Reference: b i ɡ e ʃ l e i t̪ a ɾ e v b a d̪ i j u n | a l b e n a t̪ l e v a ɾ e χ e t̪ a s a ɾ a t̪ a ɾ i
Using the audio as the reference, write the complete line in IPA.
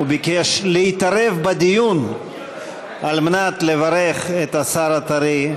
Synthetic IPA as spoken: b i k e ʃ l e i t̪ a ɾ e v b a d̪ i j u n | a l m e n a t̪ l e v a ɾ e χ e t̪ a s a ɾ a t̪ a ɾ i